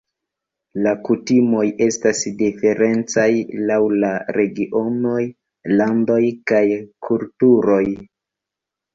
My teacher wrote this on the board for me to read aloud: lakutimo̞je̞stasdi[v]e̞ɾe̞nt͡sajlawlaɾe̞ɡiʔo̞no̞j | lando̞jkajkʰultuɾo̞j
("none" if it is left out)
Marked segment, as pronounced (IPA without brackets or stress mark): f